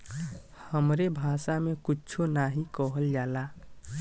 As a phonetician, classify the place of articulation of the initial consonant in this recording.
glottal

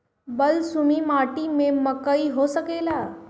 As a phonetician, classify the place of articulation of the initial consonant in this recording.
labial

